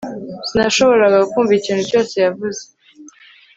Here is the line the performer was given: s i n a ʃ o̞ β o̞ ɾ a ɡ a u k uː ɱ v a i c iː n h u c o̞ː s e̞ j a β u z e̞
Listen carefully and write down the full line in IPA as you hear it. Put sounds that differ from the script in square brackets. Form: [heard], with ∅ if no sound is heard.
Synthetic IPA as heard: s i n a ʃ o̞ β o̞ ɾ a ɡ a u k uː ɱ v [i] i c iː n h u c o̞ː s e̞ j a [v] u z e̞